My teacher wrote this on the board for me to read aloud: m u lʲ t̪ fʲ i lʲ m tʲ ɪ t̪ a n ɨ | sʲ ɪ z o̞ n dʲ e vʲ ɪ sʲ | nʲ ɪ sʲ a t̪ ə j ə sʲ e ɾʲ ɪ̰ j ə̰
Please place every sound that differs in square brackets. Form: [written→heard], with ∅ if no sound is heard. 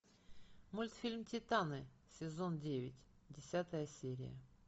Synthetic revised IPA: m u lʲ t̪ fʲ i lʲ m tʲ ɪ t̪ a n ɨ | sʲ ɪ z o̞ n dʲ e vʲ ɪ [sʲ→tʲ] | [nʲ→dʲ] ɪ sʲ a t̪ ə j ə sʲ e ɾʲ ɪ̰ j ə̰